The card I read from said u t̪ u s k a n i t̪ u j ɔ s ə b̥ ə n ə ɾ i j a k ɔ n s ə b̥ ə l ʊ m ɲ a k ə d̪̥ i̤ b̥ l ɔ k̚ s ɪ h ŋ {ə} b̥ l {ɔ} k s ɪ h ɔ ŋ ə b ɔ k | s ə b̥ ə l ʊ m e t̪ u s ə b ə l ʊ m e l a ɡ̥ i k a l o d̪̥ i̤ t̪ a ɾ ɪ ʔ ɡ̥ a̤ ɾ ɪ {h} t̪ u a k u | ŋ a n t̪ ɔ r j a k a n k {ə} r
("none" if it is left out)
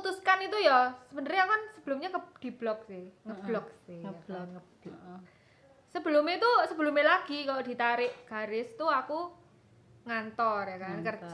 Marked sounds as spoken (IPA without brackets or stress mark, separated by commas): ə, ɔ, s, ə